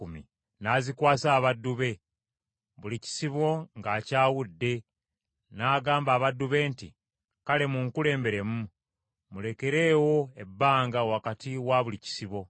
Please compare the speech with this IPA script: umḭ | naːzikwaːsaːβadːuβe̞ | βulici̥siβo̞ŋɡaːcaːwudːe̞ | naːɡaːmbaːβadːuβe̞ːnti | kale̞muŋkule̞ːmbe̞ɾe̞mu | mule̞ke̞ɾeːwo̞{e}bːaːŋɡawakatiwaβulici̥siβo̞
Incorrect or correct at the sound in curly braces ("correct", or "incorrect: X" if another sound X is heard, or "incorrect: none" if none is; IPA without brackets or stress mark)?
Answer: correct